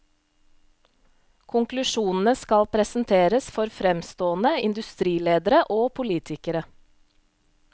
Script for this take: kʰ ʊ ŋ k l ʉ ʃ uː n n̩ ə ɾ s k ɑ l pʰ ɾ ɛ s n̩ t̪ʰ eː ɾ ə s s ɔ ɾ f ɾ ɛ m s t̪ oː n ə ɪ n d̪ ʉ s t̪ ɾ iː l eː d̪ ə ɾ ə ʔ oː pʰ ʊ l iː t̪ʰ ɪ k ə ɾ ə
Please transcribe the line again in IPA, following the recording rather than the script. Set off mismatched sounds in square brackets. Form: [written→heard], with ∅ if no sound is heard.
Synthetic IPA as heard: kʰ ʊ ŋ k l ʉ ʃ uː n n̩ ə [ɾ→∅] s k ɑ l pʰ ɾ ɛ s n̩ t̪ʰ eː ɾ ə s [s→f] ɔ ɾ f ɾ ɛ m s t̪ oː n ə ɪ n d̪ ʉ s t̪ ɾ iː l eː d̪ ə ɾ ə ʔ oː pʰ ʊ l iː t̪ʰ ɪ k ə ɾ ə